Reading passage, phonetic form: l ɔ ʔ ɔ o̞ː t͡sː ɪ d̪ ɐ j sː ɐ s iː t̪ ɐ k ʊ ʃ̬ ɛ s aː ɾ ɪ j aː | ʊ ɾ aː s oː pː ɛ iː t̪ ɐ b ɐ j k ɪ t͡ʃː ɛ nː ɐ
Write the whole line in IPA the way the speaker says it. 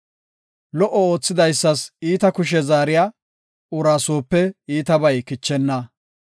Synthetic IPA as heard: l ɔ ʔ ɔ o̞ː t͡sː ɪ d̪ ɐ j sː ɐ s iː t̪ ɐ k ʊ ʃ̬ ɛ z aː ɾ ɪ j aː | ʊ ɾ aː s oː pː ɛ iː t̪ ɐ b ɐ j k ɪ t͡ʃː ɛ nː ɐ